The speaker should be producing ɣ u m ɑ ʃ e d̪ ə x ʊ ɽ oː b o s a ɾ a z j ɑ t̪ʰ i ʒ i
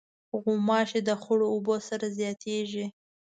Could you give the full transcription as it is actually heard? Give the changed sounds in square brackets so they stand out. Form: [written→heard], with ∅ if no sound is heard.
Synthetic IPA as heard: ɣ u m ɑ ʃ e d̪ ə x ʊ ɽ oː b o s a ɾ a z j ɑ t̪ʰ [i→e] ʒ i